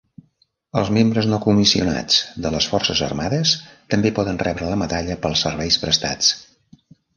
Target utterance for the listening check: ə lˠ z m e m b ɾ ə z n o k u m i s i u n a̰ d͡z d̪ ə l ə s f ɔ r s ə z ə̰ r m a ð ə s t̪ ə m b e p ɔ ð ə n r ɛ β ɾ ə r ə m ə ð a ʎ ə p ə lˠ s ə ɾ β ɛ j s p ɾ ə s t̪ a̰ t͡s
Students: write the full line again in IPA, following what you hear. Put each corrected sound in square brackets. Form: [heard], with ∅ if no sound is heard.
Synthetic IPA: ə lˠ z m e m b ɾ ə z n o k u m i s i u n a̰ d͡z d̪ ə l ə s f ɔ r s ə z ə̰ r m a ð ə s t̪ ə m b e p ɔ ð ə n r ɛ β ɾ ə [l] ə m ə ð a ʎ ə p ə lˠ s ə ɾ β ɛ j s p ɾ ə s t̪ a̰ t͡s